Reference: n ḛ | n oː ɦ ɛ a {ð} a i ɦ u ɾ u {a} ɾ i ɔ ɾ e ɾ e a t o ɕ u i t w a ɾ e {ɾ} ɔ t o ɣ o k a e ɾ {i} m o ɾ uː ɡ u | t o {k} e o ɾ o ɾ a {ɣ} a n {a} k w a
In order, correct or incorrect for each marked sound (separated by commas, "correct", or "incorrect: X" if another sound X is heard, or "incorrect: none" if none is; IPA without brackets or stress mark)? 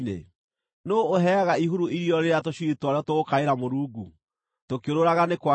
incorrect: ɣ, incorrect: i, incorrect: none, incorrect: a, correct, correct, incorrect: e